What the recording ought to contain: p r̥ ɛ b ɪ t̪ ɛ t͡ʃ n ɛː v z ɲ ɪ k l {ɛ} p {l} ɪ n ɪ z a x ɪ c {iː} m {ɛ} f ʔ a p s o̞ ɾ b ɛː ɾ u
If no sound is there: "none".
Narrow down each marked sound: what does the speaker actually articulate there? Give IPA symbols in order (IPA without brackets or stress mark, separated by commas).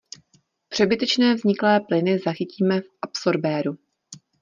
ɛː, l, iː, ɛ